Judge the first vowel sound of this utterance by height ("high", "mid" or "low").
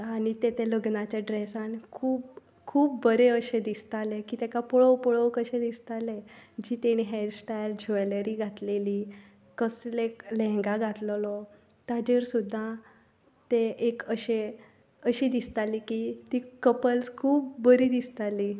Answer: low